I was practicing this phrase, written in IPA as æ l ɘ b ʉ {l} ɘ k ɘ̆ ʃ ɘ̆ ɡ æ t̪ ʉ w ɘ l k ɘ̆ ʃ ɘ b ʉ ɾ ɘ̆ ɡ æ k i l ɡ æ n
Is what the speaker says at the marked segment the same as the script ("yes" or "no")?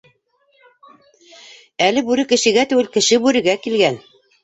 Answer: no